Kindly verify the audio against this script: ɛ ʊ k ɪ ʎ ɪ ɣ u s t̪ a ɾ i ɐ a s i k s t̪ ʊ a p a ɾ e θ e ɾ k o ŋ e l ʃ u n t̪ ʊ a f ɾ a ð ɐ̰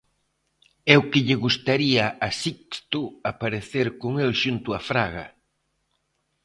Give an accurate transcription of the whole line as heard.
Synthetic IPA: ɛ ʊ k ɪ ʎ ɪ ɣ u s t̪ a ɾ i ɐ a s i k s t̪ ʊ a p a ɾ e θ e ɾ k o ŋ e l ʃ u n t̪ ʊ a f ɾ a ɣ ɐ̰